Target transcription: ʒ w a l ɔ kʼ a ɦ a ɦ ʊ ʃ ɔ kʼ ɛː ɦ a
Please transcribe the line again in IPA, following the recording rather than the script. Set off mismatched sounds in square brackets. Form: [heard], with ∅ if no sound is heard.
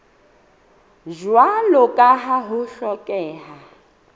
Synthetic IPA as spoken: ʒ w a l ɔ kʼ a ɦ a ɦ ʊ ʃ ɔ kʼ ɛː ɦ a